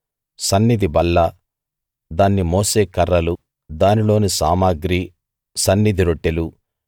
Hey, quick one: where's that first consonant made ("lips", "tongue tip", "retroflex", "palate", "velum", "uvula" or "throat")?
tongue tip